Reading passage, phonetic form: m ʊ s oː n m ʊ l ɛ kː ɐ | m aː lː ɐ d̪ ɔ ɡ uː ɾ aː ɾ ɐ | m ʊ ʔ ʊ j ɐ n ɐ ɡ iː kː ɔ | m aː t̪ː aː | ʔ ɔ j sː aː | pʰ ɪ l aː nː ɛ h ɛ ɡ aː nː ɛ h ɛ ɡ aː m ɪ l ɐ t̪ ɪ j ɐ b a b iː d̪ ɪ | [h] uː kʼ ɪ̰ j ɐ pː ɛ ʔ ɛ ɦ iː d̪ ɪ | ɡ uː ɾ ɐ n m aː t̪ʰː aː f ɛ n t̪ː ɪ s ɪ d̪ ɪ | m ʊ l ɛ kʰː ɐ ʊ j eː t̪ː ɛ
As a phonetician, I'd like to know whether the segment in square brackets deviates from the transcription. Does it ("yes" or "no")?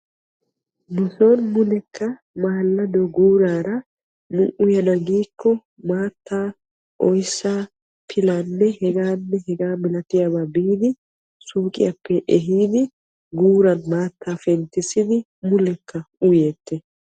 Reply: yes